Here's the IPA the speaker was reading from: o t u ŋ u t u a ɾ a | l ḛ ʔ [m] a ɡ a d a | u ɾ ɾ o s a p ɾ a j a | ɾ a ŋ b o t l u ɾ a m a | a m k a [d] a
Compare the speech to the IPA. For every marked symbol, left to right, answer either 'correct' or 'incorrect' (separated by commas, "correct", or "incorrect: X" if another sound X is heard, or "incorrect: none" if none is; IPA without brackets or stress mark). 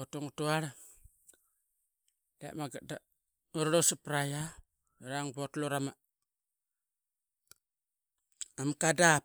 correct, correct